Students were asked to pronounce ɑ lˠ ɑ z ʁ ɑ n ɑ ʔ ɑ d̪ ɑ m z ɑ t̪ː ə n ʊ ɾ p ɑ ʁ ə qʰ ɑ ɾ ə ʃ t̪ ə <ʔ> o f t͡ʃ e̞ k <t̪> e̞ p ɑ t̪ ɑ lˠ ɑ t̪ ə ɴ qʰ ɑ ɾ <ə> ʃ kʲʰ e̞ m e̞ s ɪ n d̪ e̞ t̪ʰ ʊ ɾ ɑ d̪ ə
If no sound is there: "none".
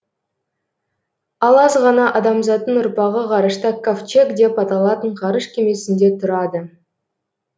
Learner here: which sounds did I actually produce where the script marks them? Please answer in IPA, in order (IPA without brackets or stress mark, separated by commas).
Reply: k, d̪, ə